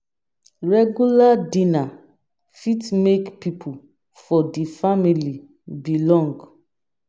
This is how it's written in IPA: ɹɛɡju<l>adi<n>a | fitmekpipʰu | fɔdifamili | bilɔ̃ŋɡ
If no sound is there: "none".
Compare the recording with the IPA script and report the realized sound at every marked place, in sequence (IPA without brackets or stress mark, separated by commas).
l, n